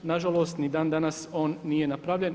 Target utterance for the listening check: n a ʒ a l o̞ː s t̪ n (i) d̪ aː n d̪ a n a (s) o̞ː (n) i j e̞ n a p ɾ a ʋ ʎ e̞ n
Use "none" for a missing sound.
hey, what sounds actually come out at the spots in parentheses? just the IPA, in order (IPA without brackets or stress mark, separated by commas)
i, s, nː